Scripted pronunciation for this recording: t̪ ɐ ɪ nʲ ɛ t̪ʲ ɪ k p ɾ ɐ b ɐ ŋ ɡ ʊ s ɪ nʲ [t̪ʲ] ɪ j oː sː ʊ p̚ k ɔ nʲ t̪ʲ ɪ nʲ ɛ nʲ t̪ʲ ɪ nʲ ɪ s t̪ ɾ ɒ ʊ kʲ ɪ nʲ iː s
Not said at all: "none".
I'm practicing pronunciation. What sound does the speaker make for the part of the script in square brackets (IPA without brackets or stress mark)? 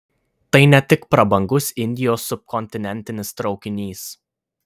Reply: d̪ʲ